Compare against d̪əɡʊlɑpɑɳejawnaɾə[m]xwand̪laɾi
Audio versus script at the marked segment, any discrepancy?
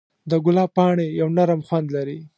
no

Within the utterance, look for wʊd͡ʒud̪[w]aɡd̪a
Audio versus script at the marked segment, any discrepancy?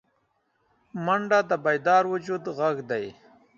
yes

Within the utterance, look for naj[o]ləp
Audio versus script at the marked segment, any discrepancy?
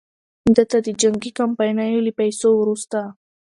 no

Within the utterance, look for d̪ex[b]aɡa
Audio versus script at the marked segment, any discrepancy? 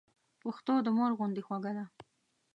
yes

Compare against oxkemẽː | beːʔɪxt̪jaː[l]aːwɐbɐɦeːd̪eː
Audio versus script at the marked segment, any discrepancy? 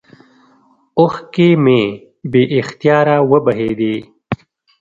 yes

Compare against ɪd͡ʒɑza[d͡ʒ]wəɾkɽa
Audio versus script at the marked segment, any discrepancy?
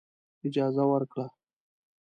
yes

